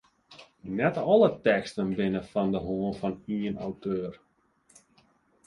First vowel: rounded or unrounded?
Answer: unrounded